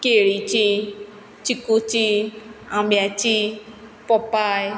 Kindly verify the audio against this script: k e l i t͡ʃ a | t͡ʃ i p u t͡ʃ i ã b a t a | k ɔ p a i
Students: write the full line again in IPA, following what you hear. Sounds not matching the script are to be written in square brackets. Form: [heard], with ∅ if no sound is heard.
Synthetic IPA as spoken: k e [ɾ] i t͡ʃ [i] | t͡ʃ i [k] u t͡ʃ i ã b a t [i] | [p] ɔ p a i